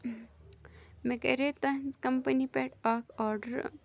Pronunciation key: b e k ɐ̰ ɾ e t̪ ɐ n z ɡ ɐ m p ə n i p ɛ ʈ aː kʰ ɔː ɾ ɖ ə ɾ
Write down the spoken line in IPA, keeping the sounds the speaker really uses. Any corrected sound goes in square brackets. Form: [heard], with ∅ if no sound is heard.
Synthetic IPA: [m] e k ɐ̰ ɾ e t̪ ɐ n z [k] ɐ m p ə n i p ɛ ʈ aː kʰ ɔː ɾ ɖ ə ɾ